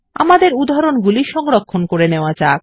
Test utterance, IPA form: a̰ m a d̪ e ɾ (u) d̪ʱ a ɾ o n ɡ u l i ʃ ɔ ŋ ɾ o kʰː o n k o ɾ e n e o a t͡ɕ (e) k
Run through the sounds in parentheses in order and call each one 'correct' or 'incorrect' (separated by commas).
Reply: correct, incorrect